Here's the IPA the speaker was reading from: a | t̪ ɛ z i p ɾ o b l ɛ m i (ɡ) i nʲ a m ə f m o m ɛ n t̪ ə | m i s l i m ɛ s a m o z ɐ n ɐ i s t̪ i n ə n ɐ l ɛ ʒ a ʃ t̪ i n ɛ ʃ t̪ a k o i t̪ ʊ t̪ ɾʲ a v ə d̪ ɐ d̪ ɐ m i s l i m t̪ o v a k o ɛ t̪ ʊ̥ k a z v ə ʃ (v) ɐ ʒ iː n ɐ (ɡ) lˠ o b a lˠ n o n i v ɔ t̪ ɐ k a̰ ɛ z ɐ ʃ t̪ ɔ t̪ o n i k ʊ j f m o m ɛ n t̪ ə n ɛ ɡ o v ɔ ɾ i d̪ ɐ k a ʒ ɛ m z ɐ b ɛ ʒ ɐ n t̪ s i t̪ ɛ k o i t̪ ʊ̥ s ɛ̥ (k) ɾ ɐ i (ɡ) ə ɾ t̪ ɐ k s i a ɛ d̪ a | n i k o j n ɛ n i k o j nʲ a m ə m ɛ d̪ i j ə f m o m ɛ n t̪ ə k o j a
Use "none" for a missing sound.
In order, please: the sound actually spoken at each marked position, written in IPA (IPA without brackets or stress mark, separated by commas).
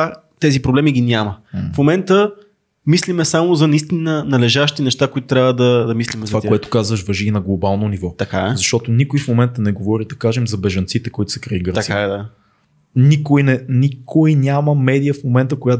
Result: ɡ, v, ɡ, k, ɡ